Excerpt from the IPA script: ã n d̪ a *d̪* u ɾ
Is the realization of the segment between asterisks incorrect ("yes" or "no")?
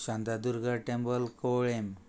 no